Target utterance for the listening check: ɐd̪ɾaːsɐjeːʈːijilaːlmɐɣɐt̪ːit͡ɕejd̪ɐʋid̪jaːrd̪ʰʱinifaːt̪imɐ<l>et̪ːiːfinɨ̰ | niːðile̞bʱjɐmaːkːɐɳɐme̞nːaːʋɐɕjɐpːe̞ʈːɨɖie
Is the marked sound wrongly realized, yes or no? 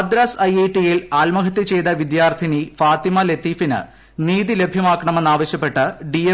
no